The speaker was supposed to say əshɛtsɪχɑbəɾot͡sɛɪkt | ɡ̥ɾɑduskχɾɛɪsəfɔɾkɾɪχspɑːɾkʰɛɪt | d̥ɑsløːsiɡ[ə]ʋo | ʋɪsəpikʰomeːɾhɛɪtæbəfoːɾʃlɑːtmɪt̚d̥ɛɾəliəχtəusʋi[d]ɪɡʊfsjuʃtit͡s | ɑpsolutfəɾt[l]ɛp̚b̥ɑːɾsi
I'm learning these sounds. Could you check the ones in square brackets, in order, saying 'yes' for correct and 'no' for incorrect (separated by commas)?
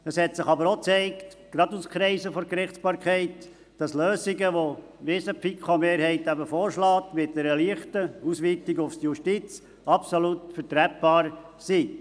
yes, no, no